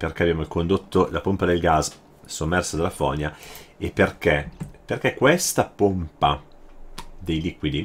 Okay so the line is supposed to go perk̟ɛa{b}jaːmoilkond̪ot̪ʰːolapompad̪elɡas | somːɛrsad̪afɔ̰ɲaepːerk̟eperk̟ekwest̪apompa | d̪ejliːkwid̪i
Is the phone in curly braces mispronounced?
no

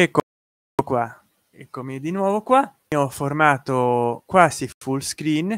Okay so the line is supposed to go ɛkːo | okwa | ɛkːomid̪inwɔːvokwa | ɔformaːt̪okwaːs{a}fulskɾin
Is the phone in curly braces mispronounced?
yes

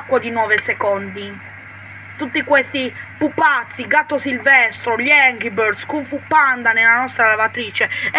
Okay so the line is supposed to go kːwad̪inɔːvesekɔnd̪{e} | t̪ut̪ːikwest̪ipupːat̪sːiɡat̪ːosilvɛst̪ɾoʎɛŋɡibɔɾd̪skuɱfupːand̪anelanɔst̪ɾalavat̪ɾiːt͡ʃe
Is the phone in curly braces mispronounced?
yes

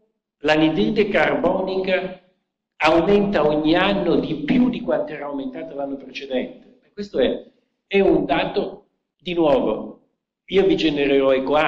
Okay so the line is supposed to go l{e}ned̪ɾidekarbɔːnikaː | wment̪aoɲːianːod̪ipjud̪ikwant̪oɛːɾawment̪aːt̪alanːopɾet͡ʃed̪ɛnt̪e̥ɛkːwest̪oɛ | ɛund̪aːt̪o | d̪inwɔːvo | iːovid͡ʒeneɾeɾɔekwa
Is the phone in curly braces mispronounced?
yes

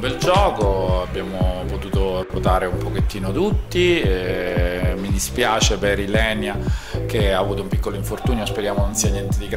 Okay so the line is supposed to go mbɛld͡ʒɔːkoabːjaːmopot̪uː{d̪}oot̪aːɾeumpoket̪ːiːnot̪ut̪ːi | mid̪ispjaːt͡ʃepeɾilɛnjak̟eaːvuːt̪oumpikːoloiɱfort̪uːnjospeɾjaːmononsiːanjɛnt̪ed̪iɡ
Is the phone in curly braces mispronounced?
yes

